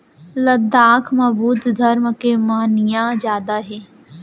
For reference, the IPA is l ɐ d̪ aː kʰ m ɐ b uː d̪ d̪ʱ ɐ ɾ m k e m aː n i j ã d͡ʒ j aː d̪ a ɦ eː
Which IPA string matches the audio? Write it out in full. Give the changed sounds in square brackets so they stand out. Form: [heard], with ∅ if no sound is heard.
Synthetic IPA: l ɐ d̪ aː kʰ m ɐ b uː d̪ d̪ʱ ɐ ɾ m k e m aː n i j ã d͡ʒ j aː d̪ a ɦ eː

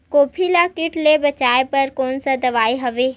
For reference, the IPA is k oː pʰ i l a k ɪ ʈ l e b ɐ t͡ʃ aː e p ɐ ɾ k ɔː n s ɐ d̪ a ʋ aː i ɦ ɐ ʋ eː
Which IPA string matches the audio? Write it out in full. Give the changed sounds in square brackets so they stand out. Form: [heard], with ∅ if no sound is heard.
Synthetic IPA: k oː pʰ i l a k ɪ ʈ l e b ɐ t͡ʃ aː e p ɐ ɾ k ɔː n s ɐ d̪ [ɐ] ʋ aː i ɦ ɐ ʋ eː

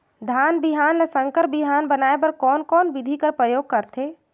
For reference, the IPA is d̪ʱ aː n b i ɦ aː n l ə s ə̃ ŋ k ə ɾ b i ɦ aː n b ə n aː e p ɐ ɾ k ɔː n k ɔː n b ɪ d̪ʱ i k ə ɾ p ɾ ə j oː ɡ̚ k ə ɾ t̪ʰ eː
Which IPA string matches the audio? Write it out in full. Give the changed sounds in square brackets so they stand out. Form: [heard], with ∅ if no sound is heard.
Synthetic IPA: d̪ʱ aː n b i ɦ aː n l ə s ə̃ ŋ k ə ɾ b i ɦ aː n b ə n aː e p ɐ ɾ k ɔː n k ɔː n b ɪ d̪ʱ i k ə ɾ p ɾ ə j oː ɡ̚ k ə ɾ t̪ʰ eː

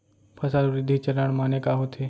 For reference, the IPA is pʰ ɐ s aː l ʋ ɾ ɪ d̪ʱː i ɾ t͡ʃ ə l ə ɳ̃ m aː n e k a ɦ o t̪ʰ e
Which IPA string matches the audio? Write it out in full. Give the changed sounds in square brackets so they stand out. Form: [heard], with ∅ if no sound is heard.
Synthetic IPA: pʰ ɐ s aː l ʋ ɾ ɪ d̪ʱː i [∅] t͡ʃ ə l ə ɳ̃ m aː n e k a ɦ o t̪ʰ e

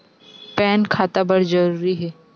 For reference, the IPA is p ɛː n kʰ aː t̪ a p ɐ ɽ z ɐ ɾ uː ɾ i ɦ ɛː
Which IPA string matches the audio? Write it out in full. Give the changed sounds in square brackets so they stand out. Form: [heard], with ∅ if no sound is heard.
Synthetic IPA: p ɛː n kʰ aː t̪ a [b] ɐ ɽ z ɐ ɾ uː ɾ i ɦ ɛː

